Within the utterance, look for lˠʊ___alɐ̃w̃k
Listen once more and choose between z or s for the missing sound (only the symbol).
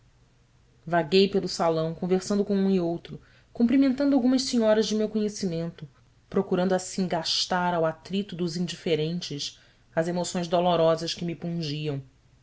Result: s